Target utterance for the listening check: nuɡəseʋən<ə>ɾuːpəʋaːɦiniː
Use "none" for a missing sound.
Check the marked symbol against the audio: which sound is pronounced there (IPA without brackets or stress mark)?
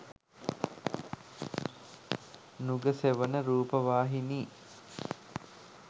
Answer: ə